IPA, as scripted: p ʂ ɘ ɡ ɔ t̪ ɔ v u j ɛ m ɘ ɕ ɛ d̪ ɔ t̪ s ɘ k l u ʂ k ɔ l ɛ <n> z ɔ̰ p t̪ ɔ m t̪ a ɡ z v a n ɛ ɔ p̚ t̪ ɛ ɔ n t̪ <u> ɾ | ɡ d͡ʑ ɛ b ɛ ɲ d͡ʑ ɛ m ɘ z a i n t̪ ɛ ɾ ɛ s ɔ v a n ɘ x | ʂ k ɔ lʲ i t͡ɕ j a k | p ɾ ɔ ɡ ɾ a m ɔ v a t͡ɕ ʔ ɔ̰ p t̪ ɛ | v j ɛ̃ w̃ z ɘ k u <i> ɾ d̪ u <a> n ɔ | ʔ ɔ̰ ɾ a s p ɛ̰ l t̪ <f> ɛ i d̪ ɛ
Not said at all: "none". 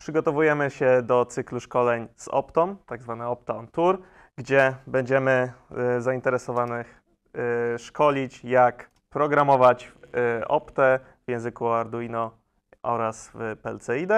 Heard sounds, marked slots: ɲ, u, a, i, s

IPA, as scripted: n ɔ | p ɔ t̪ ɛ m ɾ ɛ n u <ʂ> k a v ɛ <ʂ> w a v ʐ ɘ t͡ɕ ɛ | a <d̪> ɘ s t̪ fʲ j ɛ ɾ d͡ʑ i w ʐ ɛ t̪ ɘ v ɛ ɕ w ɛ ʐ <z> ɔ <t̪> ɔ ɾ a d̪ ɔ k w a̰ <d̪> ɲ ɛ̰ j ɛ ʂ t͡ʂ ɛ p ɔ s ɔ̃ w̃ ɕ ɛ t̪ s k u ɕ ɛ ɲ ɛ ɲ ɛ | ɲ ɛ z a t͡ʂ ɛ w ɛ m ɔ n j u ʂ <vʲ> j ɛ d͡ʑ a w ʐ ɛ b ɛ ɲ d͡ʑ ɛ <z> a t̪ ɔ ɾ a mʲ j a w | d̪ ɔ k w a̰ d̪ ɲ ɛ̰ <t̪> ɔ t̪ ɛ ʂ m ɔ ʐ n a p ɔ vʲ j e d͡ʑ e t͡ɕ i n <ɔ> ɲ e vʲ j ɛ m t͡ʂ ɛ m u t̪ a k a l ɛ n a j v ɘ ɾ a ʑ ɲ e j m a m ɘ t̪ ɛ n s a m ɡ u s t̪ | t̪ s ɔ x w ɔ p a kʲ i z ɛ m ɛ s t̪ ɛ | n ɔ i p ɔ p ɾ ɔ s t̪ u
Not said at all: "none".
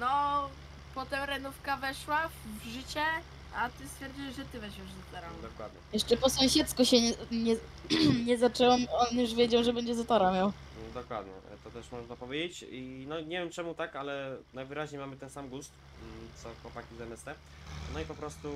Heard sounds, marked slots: f, ʂ, t̪, z, t̪, d̪, vʲ, z, t̪, ɔ

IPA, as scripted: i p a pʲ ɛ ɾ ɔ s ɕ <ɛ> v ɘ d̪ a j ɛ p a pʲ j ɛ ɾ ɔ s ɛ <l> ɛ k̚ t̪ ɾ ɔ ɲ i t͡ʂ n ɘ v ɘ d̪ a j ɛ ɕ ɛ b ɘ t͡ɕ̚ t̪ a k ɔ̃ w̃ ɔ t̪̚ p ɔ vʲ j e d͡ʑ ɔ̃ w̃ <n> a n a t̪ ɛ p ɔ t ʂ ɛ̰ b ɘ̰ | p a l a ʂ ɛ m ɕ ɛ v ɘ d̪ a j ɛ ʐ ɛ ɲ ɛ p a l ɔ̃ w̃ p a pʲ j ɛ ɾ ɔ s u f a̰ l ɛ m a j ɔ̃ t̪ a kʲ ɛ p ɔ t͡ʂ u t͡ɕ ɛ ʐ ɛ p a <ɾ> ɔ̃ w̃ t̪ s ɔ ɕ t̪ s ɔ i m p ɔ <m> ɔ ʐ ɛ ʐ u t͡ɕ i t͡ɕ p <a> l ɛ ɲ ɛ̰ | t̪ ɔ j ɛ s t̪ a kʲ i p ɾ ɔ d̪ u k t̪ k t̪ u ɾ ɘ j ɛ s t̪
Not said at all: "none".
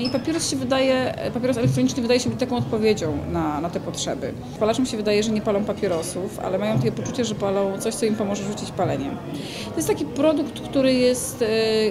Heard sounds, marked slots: ɛ, l, n, l, m, a

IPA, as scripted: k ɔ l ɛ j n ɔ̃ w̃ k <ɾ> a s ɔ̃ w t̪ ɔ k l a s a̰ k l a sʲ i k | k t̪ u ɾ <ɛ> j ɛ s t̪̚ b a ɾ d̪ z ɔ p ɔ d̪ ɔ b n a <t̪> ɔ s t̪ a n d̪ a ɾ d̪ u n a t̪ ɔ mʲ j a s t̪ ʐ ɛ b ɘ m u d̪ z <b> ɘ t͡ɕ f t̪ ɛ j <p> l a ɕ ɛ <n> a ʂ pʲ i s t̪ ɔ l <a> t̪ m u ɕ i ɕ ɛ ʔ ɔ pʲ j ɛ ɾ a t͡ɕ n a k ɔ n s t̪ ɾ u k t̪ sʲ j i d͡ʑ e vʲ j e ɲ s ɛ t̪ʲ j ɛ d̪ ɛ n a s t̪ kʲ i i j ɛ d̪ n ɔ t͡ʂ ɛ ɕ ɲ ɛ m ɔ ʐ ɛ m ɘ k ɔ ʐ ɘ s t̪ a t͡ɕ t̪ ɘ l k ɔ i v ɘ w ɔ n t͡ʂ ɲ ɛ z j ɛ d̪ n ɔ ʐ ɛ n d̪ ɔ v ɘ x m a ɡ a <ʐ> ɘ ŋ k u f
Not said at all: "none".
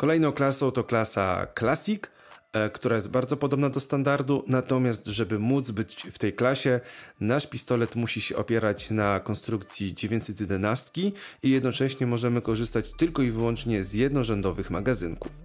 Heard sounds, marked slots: l, a, d̪, b, k, n, ɛ, z

